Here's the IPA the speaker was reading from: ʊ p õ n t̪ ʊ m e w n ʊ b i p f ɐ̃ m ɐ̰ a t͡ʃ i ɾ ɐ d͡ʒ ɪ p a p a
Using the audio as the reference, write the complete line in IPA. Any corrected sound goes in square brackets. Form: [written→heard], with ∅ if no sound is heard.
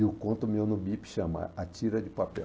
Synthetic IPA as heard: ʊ [p→k] õ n t̪ ʊ m e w n ʊ b i p [f→ʃ] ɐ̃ m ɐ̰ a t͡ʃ i ɾ ɐ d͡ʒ ɪ p a p [a→ɛ]